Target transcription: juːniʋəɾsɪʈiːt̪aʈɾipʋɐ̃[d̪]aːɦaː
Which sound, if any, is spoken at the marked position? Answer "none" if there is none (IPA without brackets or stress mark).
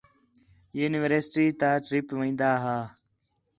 d̪